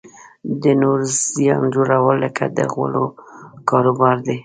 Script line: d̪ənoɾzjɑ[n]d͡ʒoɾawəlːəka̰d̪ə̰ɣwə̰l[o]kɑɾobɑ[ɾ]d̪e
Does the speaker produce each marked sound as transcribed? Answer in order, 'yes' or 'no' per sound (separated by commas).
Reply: yes, yes, yes